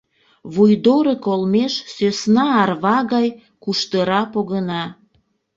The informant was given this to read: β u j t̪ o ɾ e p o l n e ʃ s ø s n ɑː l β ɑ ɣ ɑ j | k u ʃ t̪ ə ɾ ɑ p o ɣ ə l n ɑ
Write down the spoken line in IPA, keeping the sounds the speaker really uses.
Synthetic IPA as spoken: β u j d̪ o ɾ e k o l m e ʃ s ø s n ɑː r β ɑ ɣ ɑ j | k u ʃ t̪ ə ɾ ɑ p o ɣ ə n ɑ